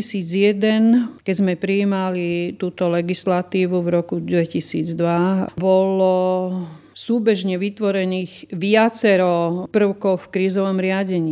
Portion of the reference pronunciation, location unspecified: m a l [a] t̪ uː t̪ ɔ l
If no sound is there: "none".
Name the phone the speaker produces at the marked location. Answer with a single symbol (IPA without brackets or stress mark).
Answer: i